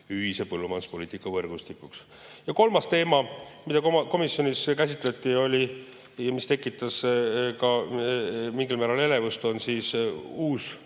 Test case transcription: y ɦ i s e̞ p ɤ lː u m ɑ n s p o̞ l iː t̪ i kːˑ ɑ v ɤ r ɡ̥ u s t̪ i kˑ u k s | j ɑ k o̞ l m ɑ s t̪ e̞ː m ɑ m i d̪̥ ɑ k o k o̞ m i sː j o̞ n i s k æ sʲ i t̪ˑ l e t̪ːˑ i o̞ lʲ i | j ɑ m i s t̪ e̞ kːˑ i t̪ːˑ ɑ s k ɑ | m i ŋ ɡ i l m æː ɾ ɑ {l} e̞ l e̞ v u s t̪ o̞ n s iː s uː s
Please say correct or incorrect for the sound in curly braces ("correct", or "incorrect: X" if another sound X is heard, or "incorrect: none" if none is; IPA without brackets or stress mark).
correct